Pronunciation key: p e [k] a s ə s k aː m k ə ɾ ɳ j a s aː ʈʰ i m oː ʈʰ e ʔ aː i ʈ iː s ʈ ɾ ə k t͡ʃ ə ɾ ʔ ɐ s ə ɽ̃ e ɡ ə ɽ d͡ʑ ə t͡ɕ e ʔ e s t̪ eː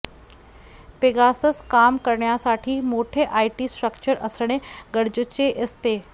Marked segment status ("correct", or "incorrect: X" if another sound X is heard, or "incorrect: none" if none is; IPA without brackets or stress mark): incorrect: ɡ